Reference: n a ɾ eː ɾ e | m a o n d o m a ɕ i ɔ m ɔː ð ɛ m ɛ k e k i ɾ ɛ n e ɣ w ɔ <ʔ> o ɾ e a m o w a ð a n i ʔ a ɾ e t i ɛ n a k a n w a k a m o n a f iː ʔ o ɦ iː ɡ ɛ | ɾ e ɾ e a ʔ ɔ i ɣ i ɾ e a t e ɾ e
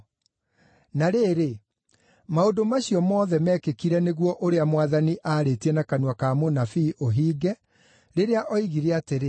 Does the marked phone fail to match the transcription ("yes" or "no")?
no